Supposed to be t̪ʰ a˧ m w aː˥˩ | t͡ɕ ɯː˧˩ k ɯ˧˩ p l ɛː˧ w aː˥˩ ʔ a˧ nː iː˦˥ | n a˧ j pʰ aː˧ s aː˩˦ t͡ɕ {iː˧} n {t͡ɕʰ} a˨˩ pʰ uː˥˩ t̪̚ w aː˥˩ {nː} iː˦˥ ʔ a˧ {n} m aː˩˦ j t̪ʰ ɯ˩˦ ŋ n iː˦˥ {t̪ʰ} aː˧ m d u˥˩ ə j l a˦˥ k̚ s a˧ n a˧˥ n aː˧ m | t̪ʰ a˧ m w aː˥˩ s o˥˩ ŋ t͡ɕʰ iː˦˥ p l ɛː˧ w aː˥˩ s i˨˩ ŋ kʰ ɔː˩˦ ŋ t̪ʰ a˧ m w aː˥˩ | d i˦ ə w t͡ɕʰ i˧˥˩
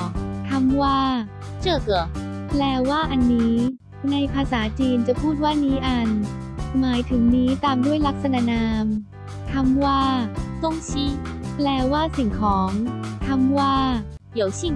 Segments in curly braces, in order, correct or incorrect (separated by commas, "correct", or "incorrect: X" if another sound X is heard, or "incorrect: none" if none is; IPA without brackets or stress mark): correct, incorrect: t͡ɕ, incorrect: n, correct, incorrect: t̪